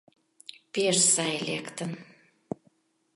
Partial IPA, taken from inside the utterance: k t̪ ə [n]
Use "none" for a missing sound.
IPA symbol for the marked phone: n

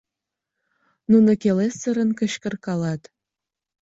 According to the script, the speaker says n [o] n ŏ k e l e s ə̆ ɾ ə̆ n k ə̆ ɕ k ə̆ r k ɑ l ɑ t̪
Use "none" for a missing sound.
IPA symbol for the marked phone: u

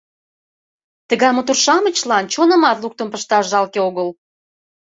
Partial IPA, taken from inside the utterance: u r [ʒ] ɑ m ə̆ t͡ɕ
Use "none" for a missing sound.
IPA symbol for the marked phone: ʃ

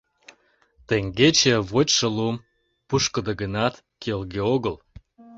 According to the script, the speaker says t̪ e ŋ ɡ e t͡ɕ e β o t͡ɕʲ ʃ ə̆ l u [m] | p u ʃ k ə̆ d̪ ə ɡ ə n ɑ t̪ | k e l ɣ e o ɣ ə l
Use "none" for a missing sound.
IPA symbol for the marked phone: m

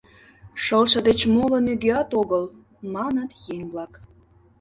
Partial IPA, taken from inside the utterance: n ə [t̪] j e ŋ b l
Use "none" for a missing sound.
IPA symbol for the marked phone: t̪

